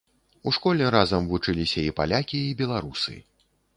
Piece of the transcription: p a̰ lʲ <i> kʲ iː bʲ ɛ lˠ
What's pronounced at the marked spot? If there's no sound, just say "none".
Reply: a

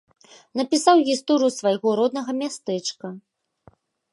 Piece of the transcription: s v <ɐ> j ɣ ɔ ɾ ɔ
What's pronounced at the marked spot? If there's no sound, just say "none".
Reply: a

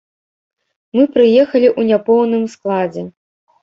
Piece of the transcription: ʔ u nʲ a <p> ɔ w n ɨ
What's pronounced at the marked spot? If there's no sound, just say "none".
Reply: p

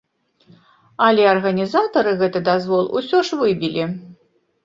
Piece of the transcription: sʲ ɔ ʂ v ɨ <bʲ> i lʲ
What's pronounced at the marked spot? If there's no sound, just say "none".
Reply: bʲ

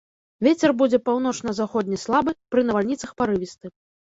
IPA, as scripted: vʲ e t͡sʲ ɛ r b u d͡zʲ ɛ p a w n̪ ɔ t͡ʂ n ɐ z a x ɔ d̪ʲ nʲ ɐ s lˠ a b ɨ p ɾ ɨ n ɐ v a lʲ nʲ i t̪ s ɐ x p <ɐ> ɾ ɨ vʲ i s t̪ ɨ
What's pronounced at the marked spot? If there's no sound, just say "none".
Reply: a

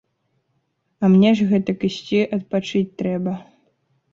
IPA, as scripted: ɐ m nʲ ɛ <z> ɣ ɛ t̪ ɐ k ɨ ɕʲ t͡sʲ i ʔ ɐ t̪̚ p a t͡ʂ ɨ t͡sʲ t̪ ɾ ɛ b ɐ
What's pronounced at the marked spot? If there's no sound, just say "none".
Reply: ʐ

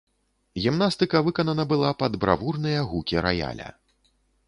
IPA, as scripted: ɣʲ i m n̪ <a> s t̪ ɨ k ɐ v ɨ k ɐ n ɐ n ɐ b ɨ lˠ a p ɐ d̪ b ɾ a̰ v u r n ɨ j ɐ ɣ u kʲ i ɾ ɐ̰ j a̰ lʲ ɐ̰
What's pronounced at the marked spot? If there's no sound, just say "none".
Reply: a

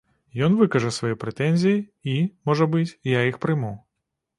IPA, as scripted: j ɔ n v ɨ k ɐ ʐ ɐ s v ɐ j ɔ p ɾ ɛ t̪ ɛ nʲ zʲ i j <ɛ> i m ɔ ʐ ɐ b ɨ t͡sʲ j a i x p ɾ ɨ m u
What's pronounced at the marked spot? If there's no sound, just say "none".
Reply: i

